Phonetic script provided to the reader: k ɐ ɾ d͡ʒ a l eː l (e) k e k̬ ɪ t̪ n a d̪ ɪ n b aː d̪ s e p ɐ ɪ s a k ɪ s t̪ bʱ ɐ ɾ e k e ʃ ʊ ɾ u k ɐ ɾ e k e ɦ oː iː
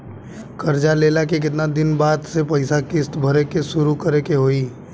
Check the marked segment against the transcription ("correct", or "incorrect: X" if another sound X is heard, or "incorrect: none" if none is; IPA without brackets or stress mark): incorrect: a